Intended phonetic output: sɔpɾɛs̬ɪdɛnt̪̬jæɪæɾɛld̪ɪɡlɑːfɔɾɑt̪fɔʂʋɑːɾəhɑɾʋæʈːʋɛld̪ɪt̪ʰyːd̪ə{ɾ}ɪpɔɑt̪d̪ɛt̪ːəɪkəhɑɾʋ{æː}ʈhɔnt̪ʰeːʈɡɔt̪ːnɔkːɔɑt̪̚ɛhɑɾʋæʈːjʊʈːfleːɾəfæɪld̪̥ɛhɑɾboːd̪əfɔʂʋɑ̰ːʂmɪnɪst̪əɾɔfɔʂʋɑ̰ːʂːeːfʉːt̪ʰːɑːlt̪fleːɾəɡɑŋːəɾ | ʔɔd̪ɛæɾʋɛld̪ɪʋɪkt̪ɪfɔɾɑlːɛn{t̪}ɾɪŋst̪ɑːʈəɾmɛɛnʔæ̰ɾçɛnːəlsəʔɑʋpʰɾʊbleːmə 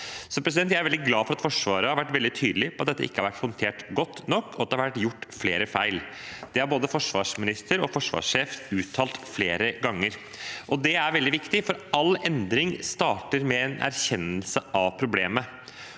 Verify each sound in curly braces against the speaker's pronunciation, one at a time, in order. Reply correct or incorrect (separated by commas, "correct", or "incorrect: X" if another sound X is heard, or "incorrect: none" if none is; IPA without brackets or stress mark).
incorrect: l, incorrect: æ, incorrect: d̪